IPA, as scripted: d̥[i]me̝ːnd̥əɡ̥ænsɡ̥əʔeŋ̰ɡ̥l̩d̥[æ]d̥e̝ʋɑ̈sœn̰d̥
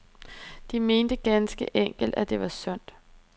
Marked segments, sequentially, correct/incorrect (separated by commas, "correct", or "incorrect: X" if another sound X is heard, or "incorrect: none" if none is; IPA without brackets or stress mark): correct, correct